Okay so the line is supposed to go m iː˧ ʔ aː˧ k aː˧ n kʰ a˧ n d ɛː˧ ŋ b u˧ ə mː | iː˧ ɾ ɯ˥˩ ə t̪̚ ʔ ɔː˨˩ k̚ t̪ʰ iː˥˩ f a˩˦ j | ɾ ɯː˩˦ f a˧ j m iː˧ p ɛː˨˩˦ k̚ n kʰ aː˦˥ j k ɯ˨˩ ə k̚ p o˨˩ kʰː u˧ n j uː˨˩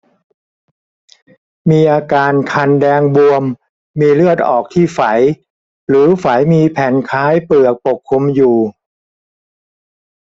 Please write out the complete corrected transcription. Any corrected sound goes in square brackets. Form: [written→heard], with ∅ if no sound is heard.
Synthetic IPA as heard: m iː˧ ʔ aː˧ k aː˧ n kʰ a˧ n d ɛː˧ ŋ b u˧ ə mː | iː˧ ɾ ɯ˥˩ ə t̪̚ ʔ ɔː˨˩ k̚ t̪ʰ iː˥˩ f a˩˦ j | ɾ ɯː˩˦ f [a˧→a˩˦] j m iː˧ [p→pʰ] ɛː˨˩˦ [k̚→∅] n kʰ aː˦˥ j [k→p] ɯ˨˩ ə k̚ p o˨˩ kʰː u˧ [n→m] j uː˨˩